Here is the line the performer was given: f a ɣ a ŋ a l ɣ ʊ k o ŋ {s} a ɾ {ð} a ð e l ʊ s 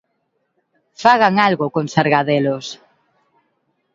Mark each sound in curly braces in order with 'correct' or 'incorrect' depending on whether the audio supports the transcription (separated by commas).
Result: correct, incorrect